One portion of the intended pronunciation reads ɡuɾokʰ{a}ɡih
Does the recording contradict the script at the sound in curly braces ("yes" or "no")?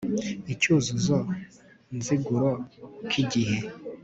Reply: yes